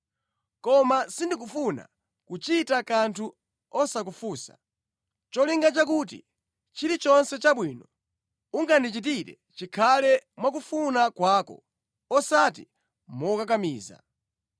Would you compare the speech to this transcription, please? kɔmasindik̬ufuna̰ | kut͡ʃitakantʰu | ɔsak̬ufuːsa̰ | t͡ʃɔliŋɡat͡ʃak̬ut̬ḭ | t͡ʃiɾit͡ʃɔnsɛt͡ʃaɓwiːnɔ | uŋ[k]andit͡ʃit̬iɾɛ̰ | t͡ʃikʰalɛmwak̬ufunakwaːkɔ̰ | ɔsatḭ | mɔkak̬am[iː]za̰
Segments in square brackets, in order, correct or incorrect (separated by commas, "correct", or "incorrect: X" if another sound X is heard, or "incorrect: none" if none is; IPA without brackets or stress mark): incorrect: ɡ, correct